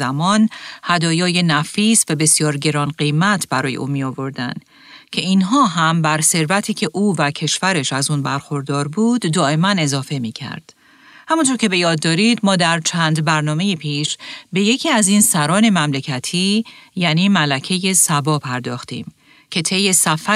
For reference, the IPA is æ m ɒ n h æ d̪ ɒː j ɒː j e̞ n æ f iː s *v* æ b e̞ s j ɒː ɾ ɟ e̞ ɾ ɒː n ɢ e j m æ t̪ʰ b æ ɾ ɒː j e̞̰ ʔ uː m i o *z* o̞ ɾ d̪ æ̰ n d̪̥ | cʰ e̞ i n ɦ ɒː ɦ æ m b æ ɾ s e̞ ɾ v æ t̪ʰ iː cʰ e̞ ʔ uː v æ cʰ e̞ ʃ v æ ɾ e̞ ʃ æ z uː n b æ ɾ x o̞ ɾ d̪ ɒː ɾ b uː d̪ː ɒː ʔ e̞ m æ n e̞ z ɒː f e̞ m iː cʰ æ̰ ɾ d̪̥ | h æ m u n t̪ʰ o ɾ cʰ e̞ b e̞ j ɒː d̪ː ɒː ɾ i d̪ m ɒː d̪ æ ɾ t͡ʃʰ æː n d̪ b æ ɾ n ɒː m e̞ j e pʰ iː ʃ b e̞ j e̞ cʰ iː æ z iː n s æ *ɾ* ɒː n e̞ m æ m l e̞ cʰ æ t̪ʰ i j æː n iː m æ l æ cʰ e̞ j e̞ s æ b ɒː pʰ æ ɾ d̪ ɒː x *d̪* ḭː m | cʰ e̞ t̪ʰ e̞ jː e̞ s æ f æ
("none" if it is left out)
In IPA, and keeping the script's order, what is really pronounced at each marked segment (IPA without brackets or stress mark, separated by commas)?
v, v, ɾ, t̪